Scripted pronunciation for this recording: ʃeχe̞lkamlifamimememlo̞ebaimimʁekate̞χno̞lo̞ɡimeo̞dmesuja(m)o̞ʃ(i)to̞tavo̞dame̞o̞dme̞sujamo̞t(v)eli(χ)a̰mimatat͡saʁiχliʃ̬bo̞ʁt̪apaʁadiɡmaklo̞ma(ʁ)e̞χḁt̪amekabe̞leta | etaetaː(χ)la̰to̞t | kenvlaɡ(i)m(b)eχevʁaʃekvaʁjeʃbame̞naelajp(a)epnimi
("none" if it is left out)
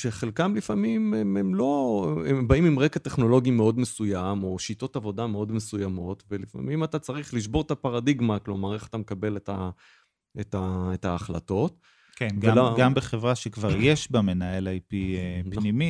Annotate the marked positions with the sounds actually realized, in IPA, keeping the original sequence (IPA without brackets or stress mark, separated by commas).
m, i, v, f, ʁ, χ, a, b, i